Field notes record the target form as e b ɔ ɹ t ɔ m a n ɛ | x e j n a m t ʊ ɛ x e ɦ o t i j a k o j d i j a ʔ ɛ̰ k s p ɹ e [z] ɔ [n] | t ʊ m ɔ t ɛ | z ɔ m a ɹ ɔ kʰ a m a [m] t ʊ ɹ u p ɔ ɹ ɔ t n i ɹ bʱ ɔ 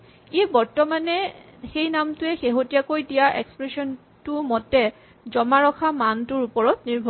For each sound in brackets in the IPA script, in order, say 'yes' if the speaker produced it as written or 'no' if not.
no, yes, no

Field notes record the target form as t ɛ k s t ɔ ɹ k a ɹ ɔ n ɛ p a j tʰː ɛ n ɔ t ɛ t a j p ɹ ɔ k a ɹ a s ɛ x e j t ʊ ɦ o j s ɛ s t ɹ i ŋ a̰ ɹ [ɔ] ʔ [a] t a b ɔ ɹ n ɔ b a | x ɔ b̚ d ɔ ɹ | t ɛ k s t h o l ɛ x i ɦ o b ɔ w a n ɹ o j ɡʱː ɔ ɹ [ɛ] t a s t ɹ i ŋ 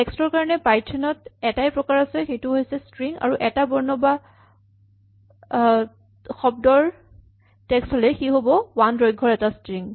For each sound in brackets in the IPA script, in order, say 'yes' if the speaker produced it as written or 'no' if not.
no, no, yes

